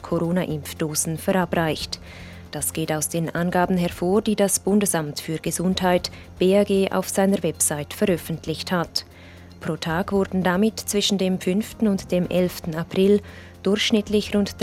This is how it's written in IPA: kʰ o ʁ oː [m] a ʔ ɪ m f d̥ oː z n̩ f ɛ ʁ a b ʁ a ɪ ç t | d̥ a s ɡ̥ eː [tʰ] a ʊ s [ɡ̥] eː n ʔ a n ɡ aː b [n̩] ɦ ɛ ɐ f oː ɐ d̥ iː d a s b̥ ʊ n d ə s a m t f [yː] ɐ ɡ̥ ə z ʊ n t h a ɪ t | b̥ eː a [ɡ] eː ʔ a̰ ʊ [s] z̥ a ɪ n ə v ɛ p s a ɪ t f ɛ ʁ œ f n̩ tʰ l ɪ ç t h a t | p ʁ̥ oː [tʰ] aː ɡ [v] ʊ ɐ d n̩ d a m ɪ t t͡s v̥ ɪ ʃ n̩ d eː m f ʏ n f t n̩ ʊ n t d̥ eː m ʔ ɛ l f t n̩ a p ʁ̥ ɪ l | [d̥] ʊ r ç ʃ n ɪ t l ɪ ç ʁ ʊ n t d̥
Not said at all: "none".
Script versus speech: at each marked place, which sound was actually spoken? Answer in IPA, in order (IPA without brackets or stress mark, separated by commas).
n, t, d̥, n̩, yː, ɡ, f, tʰ, v, d̥